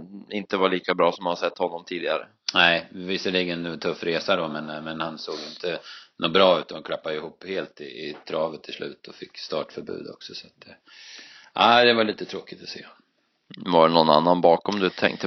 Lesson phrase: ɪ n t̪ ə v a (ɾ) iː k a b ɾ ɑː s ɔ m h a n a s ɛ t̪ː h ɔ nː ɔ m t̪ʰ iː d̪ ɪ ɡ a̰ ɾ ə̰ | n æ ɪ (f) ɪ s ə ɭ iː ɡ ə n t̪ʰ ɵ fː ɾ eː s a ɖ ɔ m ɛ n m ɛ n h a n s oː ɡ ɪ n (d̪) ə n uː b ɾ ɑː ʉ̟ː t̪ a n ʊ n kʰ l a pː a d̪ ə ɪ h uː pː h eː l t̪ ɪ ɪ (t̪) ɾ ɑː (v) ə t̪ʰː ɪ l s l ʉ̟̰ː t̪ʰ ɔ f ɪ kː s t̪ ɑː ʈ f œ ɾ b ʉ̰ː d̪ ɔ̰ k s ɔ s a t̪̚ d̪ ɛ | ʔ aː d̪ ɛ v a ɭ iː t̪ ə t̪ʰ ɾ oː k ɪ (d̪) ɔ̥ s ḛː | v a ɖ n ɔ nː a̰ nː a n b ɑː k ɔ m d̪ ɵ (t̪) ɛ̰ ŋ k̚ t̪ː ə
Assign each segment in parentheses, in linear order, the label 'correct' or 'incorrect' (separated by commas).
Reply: incorrect, incorrect, incorrect, incorrect, correct, incorrect, incorrect